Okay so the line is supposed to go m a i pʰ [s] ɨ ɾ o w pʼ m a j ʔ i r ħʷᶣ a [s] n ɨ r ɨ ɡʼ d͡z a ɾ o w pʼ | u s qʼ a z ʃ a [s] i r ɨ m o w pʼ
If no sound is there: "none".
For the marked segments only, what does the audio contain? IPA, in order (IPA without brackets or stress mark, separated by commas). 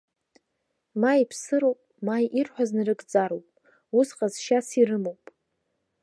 s, z, s